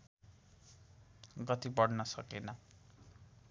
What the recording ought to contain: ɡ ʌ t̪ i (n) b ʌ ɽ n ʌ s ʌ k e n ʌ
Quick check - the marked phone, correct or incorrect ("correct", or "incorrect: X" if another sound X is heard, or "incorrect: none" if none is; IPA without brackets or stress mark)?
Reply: incorrect: none